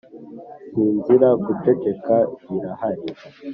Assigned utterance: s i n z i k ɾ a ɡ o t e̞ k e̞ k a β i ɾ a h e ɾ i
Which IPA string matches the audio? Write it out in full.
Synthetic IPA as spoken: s iː n z i ɾ a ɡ u t e̞ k e̞ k a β i ɾ a h a ɾ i

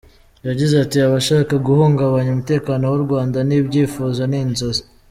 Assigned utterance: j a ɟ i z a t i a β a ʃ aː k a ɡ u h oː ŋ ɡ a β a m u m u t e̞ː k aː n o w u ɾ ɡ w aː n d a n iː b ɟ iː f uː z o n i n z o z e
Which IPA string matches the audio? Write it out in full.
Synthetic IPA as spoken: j a ɟ i z a t i a β a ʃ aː k a ɡ u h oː ŋ ɡ a β a ɲ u m u t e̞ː k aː n o w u ɾ ɡ w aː n d a n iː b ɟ iː f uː z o n i n z o z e

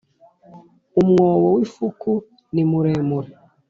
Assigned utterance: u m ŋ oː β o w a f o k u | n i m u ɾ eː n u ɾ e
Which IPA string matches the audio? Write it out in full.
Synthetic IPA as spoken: u m ŋ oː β o w i f u k u | n i m u ɾ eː m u ɾ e

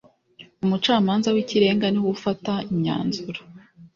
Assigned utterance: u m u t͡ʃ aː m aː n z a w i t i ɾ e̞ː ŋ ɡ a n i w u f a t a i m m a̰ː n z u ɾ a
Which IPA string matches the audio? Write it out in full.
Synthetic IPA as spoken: u m u t͡ʃ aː m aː n z a w i c i ɾ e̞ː ŋ ɡ a n i w u f a t a i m ɲ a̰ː n z u ɾ a

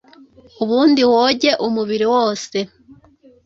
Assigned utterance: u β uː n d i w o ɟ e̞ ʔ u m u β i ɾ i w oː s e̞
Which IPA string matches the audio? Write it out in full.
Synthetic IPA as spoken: u β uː n d i w o ɟ e̞ ʔ u m u β i ɾ i w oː s e̞

